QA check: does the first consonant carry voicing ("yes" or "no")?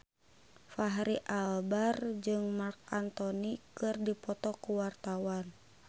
no